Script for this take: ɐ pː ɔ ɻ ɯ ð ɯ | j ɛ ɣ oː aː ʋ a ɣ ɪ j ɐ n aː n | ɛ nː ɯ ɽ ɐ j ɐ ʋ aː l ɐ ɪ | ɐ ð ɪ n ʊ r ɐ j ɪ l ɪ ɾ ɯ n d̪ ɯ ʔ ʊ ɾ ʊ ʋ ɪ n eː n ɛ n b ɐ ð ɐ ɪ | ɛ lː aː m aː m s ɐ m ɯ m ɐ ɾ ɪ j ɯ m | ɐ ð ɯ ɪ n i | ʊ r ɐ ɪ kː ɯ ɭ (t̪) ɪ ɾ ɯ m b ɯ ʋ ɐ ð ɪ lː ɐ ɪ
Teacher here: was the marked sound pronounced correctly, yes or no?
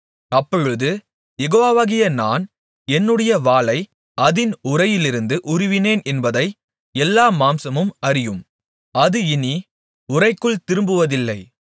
yes